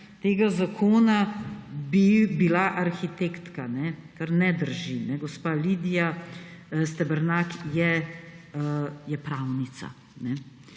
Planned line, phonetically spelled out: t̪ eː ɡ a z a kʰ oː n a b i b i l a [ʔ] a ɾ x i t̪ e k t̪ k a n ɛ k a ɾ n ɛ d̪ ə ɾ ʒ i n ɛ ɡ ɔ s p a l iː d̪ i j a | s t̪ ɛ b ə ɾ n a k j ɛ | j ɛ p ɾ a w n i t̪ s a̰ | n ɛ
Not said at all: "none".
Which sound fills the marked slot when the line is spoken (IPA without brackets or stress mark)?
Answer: ʔ